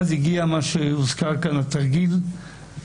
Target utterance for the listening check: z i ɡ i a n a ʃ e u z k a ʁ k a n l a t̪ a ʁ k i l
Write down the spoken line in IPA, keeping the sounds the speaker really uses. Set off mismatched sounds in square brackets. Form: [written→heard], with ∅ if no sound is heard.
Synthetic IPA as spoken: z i ɡ i a [n→m] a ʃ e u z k a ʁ k a n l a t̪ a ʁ [k→ɡ] i l